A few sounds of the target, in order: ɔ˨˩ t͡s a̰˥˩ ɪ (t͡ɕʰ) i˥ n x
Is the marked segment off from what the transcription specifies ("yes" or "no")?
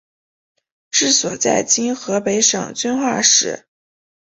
yes